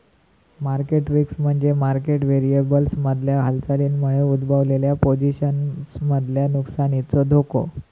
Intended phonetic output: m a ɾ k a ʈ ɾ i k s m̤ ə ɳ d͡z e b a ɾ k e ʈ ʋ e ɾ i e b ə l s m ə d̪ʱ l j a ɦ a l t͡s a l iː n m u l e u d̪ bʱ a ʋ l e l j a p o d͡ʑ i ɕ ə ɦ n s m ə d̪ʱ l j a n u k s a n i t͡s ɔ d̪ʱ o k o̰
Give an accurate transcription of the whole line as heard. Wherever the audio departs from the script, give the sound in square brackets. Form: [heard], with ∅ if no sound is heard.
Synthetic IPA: m a ɾ k [e] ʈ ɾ i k s m̤ ə ɳ d͡z e [m] a ɾ k e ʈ ʋ e ɾ i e b ə l s m ə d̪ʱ l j a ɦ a l t͡s a l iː n m u [ɭ] e u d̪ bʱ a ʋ l e l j a p o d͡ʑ i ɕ ə [∅] n s m ə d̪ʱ l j a n u k s a n i t͡s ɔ d̪ʱ o k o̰